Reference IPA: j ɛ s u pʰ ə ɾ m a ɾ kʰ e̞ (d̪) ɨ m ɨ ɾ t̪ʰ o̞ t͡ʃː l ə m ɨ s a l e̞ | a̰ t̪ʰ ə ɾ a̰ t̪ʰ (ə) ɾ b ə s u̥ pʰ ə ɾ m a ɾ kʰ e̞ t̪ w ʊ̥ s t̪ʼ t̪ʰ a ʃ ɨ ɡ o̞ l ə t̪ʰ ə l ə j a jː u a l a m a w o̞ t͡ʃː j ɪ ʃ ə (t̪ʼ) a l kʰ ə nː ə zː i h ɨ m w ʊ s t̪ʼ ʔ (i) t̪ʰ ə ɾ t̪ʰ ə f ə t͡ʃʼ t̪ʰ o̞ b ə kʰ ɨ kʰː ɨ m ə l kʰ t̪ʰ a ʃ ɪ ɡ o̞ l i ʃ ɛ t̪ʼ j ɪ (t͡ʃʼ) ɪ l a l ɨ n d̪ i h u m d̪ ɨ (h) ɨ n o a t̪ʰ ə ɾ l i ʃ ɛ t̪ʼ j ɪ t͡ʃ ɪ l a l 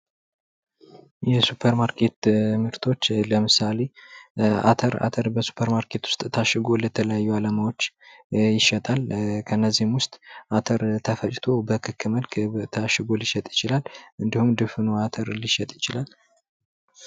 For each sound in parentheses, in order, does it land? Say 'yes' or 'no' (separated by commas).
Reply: no, yes, yes, no, no, no